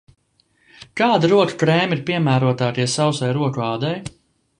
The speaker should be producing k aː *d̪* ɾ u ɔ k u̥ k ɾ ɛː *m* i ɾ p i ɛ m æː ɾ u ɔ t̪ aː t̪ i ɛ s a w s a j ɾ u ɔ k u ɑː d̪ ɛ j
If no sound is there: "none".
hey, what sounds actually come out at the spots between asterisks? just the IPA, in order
d̪, m

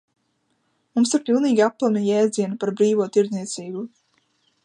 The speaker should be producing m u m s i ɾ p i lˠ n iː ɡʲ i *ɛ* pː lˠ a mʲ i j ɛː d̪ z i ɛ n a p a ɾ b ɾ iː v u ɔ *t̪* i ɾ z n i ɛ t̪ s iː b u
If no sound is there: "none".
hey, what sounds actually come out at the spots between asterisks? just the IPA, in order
a, t̪

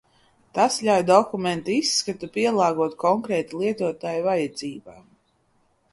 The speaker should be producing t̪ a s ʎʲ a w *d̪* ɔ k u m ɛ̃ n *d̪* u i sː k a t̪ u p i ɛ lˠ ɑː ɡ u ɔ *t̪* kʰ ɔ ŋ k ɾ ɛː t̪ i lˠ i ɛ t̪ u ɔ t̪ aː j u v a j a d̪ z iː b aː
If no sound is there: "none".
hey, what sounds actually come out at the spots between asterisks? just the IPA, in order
d̪, t̪, t̪

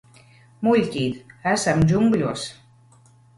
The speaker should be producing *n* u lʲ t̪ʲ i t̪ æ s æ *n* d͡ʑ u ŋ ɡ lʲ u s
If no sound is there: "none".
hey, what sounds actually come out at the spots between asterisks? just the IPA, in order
m, m

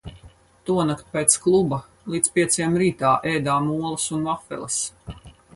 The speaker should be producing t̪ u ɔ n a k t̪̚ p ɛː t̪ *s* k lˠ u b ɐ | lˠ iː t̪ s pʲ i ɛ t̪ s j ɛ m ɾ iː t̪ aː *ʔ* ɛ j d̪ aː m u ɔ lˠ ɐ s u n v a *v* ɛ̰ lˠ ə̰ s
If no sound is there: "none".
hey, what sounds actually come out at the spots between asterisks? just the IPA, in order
s, ʔ, f

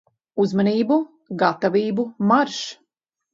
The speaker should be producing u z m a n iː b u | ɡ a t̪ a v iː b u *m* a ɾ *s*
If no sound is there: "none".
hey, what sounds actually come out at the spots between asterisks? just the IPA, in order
m, ʃ

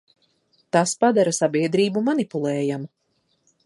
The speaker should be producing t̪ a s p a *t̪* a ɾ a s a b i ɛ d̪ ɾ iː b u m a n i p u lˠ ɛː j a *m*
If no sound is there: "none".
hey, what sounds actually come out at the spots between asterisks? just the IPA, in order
d̪, m

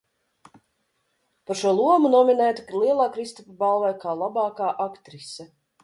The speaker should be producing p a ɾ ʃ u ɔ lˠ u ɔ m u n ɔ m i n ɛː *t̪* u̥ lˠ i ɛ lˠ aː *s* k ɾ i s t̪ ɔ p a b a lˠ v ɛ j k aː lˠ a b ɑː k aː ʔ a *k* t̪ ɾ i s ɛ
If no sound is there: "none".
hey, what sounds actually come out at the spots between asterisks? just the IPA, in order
t̪, none, k

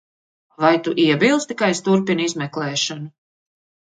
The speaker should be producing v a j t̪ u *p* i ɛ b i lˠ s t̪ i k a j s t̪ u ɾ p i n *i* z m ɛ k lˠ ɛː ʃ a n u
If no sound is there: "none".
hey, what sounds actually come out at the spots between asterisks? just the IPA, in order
ʔ, i

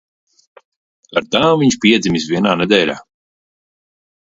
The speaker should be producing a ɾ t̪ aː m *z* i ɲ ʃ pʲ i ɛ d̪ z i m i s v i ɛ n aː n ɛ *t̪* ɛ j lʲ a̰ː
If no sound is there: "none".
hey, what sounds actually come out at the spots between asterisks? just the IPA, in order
v, d̪

